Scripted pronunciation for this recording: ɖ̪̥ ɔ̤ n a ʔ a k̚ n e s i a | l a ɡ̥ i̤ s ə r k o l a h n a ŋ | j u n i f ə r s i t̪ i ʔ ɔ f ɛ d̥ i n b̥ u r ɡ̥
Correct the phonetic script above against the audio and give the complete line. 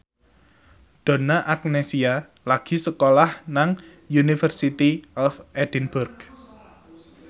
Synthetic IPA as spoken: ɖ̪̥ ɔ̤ n a ʔ a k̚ n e s i a | l a ɡ̥ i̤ s ə k o l a h n a ŋ | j u n i f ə r s i t̪ i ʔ ɔ f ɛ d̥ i n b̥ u r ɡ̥